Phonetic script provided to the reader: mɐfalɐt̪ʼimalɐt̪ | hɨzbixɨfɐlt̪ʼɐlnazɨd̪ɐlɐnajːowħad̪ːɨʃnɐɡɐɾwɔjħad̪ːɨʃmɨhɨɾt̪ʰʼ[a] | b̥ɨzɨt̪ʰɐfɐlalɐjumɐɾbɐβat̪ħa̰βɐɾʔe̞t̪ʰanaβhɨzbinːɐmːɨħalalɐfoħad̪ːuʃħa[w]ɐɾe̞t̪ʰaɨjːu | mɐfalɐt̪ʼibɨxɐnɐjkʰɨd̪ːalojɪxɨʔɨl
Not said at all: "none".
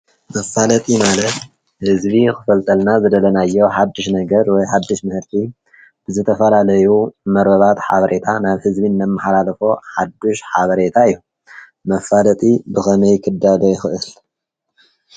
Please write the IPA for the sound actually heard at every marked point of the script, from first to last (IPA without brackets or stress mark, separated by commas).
i, β